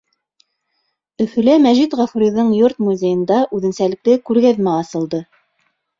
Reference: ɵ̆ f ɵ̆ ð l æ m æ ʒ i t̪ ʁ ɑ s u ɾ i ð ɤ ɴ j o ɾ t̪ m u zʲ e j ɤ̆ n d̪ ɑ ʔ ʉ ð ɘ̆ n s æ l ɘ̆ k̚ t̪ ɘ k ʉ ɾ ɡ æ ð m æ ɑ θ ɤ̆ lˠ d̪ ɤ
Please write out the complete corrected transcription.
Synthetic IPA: ɵ̆ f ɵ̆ l æ m æ ʒ i t̪ ʁ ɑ f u ɾ i ð ɤ ɴ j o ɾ t̪ m u zʲ e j ɤ̆ n d̪ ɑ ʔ ʉ ð ɘ̆ n s æ l ɘ̆ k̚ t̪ ɘ k ʉ ɾ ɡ æ ð m æ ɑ s ɤ̆ lˠ d̪ ɤ